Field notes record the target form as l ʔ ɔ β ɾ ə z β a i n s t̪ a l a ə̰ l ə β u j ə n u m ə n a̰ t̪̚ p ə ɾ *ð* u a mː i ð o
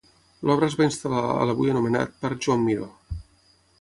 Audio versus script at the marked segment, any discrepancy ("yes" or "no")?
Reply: yes